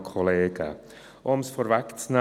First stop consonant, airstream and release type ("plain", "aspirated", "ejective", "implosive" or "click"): aspirated